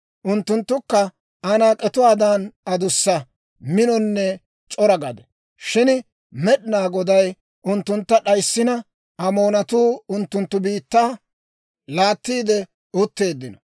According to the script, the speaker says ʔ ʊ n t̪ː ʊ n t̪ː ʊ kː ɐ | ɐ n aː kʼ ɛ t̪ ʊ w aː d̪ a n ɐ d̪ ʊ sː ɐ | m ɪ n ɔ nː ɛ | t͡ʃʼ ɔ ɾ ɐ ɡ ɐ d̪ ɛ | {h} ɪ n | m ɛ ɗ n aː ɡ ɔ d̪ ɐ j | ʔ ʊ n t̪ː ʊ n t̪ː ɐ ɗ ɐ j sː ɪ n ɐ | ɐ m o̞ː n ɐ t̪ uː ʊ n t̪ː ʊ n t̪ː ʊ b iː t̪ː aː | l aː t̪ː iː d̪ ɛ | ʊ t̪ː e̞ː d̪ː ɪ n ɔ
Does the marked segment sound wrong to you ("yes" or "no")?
yes